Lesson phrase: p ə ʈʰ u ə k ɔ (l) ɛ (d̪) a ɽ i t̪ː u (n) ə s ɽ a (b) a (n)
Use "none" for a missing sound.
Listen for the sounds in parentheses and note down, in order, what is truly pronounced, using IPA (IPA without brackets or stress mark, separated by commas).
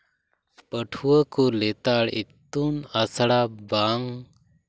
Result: l, t̪, n, b, ŋ